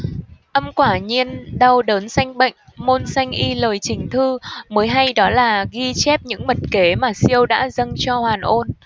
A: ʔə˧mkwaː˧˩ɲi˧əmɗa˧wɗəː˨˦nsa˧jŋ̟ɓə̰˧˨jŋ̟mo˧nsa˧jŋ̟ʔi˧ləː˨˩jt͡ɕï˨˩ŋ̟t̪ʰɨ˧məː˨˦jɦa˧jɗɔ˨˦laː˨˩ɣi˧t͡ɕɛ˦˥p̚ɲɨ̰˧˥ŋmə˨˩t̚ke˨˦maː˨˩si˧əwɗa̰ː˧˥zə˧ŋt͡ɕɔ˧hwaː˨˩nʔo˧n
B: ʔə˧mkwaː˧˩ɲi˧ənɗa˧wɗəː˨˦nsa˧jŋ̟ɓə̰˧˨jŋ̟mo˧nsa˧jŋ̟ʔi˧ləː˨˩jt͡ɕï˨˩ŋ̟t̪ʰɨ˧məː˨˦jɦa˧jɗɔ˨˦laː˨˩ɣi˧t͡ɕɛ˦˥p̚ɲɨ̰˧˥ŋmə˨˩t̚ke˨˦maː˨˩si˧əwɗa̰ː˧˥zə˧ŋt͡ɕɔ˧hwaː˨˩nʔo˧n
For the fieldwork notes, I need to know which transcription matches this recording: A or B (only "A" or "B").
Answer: B